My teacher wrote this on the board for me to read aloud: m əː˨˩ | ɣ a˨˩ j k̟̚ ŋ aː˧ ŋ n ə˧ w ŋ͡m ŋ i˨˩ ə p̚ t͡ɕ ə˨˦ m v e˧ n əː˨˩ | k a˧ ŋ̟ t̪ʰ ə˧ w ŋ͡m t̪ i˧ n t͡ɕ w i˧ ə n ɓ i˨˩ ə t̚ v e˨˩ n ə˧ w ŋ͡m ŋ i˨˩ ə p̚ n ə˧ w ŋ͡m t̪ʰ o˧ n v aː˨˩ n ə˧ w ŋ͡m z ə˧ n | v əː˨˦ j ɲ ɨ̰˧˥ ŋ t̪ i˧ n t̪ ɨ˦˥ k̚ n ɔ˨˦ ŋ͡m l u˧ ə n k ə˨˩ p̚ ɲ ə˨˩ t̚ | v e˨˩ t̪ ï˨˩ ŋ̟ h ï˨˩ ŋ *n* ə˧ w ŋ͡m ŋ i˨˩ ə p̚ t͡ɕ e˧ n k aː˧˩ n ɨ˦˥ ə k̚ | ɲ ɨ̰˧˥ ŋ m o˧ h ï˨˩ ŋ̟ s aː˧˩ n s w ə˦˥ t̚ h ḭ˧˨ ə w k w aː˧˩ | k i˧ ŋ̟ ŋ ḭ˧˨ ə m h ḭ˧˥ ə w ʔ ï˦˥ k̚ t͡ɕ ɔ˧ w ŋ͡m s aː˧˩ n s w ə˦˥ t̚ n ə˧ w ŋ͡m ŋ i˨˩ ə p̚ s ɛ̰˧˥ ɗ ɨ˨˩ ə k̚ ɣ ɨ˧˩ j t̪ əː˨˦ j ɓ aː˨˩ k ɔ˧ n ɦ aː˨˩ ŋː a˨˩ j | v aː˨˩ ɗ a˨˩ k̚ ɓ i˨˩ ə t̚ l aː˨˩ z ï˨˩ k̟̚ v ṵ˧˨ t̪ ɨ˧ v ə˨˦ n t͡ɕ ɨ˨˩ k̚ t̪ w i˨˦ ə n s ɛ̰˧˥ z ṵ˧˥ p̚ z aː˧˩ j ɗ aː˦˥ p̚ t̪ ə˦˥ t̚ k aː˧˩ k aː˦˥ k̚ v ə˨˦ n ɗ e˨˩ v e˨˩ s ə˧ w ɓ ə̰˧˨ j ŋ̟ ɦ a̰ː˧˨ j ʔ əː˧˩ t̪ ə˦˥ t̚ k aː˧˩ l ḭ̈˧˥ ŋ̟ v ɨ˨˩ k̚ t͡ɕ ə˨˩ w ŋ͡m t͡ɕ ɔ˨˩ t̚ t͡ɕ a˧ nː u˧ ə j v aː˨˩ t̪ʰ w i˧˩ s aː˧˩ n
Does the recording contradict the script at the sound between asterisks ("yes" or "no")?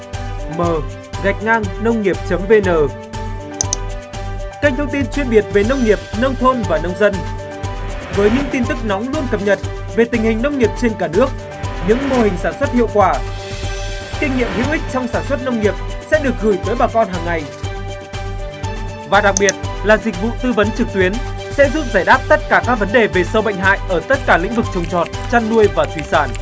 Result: no